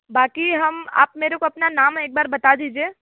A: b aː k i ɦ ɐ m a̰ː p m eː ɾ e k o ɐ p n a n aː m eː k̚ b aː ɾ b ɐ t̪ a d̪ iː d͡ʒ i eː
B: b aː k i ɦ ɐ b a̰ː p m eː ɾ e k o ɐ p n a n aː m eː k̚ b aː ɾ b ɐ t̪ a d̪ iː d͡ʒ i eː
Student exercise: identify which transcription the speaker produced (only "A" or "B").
A